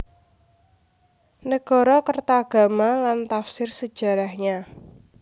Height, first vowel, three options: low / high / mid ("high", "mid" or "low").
mid